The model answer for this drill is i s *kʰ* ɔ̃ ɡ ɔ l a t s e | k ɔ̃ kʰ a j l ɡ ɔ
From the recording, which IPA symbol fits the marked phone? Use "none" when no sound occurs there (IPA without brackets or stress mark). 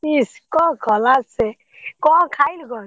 k